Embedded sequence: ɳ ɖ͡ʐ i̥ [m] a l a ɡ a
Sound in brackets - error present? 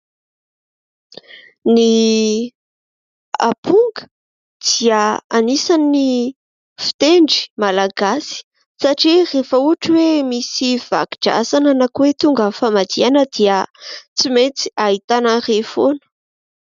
no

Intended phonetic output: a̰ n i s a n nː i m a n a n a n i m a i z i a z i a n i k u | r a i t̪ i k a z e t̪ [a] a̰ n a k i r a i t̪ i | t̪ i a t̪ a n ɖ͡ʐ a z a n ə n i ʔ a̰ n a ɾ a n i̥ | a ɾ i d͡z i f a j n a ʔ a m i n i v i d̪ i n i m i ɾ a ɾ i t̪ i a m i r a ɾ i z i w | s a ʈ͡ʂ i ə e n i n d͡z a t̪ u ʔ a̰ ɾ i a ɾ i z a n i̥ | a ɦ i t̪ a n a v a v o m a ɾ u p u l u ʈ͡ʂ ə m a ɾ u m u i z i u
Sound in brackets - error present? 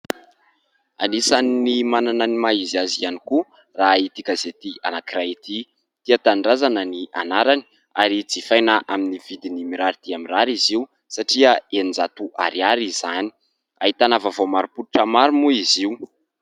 yes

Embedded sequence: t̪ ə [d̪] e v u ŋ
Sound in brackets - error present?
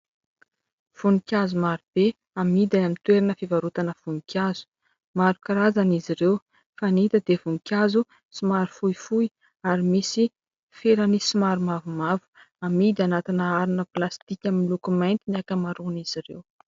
no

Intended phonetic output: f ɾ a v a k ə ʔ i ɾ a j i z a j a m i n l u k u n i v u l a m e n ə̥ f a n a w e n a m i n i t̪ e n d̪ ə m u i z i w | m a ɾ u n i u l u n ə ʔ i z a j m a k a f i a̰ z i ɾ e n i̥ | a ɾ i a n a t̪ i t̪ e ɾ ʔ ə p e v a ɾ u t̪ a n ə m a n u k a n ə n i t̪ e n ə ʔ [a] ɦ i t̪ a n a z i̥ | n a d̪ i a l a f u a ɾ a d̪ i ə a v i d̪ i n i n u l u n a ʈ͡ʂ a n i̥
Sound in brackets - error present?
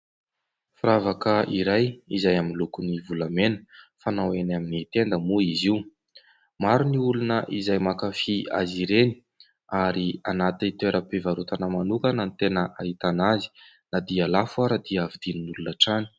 no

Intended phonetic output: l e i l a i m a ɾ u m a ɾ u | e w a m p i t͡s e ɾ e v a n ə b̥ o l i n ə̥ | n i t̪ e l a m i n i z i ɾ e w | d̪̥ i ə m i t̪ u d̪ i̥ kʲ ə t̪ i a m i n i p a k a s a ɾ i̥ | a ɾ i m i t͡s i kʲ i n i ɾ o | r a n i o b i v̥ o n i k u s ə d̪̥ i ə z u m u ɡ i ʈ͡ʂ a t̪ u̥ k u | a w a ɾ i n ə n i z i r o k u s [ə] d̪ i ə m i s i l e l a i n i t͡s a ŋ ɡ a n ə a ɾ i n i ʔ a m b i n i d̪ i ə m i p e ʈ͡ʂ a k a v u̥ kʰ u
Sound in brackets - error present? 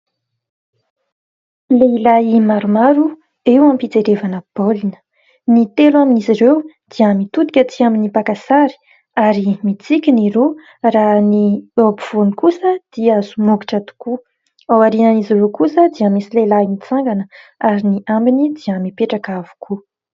no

